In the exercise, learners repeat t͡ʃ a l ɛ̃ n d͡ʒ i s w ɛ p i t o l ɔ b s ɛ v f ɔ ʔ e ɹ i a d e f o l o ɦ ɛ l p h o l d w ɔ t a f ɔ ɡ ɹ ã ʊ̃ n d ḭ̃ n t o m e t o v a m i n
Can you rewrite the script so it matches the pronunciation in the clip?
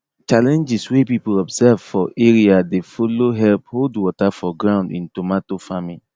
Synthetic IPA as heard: t͡ʃ a l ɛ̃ n d͡ʒ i s w e p i p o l ɔ b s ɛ v f ɔ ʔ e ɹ i a d e f o l o ɦ ɛ l p h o l d w ɔ t a f ɔ ɡ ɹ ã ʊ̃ n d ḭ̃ n t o m a t o f a m i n